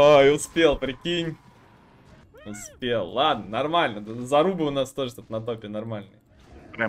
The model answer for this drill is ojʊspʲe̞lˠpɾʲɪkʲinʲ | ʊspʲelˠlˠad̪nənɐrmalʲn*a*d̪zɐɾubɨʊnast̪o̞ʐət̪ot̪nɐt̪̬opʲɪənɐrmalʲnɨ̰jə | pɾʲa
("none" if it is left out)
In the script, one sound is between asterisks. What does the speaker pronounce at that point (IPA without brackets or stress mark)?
ə